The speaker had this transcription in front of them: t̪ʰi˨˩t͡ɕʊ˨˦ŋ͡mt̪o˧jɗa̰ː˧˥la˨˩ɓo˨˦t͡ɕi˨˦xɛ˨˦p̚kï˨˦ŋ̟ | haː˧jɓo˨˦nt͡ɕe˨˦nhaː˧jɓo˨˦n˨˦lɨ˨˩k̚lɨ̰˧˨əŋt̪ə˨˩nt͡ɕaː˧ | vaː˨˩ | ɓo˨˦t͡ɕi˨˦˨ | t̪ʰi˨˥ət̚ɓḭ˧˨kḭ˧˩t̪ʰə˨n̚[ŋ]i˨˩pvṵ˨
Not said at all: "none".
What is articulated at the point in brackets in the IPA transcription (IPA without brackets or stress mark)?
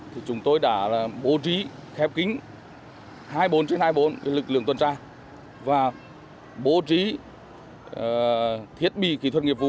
ŋ